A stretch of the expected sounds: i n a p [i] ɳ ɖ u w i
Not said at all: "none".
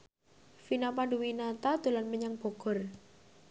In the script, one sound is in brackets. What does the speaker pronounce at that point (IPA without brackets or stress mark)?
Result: a